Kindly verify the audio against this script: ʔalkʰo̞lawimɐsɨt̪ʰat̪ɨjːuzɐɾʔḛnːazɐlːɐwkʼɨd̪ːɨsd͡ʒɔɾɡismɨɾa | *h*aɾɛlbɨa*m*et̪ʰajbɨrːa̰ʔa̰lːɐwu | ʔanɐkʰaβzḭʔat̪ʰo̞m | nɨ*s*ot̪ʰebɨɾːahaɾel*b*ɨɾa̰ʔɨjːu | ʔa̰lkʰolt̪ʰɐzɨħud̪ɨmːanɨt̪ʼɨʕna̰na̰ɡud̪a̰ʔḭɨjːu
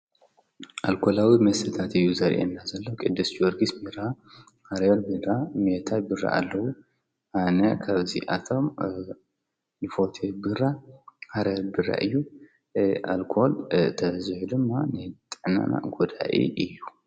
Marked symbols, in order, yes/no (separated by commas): yes, yes, no, yes